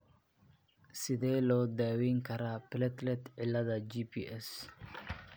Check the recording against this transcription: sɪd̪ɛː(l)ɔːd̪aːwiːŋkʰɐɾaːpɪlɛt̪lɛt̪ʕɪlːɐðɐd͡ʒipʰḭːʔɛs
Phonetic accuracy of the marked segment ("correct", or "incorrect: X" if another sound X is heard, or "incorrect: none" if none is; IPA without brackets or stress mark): correct